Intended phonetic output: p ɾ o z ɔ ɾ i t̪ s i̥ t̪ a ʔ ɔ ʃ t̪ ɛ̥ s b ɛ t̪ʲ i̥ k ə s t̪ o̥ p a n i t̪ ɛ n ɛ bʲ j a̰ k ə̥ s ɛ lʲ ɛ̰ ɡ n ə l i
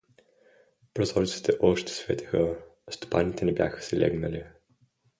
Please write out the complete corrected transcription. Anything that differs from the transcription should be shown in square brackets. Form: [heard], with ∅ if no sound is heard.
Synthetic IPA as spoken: p ɾ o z ɔ ɾ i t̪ s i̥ t̪ [ɛ] ʔ ɔ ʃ t̪ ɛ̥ s [v] ɛ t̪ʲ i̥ [x] ə s t̪ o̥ p a n i t̪ ɛ n ɛ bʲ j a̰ [x] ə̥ s ɛ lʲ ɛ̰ ɡ n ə l i

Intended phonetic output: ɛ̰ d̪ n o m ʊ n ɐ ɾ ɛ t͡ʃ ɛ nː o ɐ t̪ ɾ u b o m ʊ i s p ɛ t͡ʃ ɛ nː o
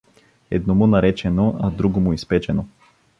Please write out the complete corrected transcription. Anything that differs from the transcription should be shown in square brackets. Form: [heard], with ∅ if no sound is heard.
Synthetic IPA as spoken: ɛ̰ d̪ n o m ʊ n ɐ ɾ ɛ t͡ʃ ɛ [n] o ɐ [d̪] ɾ u [ɡ] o m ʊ i s p ɛ t͡ʃ ɛ [n] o

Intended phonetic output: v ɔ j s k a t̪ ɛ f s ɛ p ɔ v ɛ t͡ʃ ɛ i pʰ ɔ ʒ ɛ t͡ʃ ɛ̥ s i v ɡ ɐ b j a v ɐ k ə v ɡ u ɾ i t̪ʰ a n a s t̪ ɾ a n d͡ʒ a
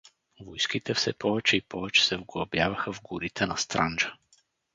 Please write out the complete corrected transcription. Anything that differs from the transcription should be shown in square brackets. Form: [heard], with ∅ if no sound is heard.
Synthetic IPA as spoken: v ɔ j s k [i] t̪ ɛ f s ɛ p ɔ v ɛ t͡ʃ ɛ i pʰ ɔ [v] ɛ t͡ʃ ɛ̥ s [ɛ] v ɡ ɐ b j a v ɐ [x] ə v ɡ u ɾ i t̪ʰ [ɛ] n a s t̪ ɾ a n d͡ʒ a

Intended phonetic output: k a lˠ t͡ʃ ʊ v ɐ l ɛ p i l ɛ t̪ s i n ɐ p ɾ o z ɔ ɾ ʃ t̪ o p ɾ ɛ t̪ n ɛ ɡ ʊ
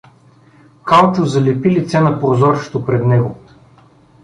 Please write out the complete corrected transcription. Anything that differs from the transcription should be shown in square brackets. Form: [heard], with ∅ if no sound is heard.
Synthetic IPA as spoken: k a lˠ t͡ʃ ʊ [z] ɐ l ɛ p i l [i] t̪ s [ɛ] n ɐ p ɾ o z ɔ ɾ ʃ t̪ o p ɾ ɛ [d̪] n ɛ ɡ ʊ

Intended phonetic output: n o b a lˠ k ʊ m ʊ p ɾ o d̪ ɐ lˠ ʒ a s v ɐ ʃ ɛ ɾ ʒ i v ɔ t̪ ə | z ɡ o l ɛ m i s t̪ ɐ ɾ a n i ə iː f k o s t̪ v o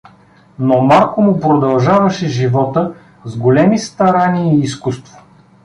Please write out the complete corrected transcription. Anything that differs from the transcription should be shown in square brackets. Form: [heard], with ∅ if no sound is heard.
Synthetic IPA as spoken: n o [m] a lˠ k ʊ m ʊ p ɾ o d̪ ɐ lˠ ʒ a [∅] v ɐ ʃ ɛ [∅] ʒ i v ɔ t̪ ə | z ɡ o l ɛ m i s t̪ ɐ ɾ a n i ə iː [s] k [u] s t̪ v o

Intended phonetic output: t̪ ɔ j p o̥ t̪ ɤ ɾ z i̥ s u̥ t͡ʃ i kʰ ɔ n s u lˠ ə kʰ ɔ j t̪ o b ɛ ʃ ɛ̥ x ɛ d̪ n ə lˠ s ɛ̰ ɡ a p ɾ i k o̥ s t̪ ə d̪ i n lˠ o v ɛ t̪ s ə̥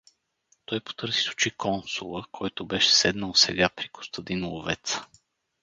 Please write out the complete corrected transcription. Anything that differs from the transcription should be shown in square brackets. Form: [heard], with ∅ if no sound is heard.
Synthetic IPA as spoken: t̪ ɔ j p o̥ t̪ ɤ ɾ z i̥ s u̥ t͡ʃ i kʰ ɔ n s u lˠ ə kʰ ɔ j t̪ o b ɛ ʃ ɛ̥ [s] ɛ d̪ n ə lˠ s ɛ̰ ɡ a p ɾ i k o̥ s t̪ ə d̪ i n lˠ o v ɛ t̪ s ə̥

